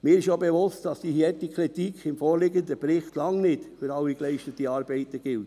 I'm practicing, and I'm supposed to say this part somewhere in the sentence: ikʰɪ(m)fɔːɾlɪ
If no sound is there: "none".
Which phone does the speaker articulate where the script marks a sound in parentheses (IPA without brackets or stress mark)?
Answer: m